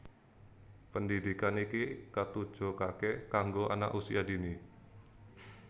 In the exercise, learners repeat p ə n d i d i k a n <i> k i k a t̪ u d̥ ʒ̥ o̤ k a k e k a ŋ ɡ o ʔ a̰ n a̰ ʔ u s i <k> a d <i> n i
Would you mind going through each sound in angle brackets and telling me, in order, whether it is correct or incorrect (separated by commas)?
correct, incorrect, correct